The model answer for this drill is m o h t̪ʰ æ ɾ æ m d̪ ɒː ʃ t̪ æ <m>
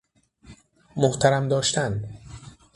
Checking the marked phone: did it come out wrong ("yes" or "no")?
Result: yes